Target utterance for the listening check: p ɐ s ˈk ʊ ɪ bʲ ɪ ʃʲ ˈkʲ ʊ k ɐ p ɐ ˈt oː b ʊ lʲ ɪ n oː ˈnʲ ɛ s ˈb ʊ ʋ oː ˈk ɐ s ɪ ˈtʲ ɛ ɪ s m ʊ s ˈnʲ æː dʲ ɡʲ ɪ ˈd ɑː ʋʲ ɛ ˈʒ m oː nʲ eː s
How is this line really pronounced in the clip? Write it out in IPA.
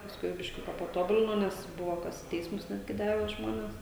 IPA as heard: p ɐ s ˈk ʊ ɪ bʲ ɪ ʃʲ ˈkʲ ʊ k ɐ p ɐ ˈt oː b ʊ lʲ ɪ n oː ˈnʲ ɛ s ˈb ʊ ʋ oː ˈk ɐ s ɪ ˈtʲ ɛ ɪ s m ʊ s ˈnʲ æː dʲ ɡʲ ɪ ˈd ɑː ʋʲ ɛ ˈʒ m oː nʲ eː s